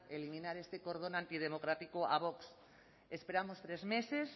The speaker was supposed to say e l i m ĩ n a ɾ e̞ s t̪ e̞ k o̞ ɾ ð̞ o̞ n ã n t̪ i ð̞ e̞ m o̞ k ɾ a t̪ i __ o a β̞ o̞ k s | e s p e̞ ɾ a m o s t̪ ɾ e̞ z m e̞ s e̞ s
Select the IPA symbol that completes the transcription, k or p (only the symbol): k